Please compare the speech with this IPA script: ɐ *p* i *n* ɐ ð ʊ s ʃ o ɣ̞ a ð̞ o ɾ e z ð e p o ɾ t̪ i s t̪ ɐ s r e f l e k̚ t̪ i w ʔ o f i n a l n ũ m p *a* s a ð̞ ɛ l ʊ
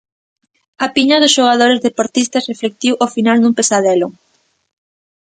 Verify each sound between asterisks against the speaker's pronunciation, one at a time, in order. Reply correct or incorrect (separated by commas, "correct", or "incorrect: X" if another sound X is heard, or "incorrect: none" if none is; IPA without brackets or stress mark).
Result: correct, incorrect: ɲ, incorrect: e